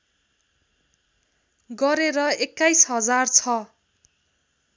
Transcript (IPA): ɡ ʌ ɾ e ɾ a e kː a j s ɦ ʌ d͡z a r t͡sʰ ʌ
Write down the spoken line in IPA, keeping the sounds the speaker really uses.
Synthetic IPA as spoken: ɡ ʌ ɾ e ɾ ʌ e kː a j s ɦ ʌ d͡z a r t͡sʰ ʌ